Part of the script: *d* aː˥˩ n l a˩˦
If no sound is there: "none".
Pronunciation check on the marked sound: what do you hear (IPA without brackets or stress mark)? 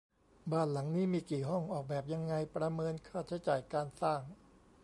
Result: b